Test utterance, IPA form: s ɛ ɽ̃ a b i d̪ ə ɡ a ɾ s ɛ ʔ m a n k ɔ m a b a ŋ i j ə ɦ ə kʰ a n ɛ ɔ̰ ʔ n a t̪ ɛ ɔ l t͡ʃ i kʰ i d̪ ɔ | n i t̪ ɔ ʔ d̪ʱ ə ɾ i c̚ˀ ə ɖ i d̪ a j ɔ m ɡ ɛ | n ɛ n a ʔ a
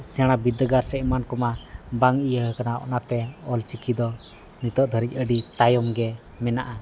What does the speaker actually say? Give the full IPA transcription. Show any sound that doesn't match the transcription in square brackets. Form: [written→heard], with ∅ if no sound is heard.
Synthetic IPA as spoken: s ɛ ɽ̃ a b i d̪ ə ɡ a ɾ s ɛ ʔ m a n k ɔ m a b a ŋ i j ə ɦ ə [kʰ→k] a n [ɛ→a] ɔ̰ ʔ n a t̪ ɛ ɔ l t͡ʃ i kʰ i d̪ ɔ | n i t̪ ɔ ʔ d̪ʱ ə ɾ i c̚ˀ ə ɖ i [d̪→t̪] a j ɔ m ɡ ɛ | [n→m] ɛ n a ʔ a